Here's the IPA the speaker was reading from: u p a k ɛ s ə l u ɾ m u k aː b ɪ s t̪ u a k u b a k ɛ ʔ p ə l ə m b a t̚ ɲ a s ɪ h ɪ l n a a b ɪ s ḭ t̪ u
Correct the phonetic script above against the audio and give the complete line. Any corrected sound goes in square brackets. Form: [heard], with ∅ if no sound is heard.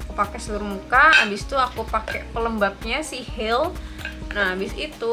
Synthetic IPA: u p a k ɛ s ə l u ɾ m u k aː b ɪ s t̪ u a k u [p] a k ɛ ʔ p ə l ə m b a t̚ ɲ a s [i] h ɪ l n a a b ɪ s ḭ t̪ u